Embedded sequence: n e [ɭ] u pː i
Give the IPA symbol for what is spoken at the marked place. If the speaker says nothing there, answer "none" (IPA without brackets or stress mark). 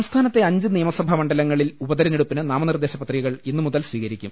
ɽ